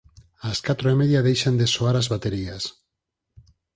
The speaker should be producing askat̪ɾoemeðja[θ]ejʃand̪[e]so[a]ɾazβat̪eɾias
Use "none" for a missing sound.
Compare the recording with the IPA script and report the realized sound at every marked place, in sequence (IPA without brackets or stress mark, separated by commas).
ð, e, a